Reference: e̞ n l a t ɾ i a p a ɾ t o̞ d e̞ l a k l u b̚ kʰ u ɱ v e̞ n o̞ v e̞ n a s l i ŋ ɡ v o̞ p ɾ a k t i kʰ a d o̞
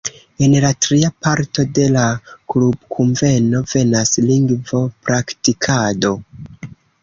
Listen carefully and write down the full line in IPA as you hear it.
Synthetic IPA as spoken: e̞ n l a t ɾ i a p a ɾ t o̞ d e̞ l a k l u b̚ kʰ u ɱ v e̞ n o̞ v e̞ n a s l i ŋ ɡ v o̞ p ɾ a k t i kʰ a d o̞